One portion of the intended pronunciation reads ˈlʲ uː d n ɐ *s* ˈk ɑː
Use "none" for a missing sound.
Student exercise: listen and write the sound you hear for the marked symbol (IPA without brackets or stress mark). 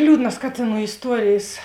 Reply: s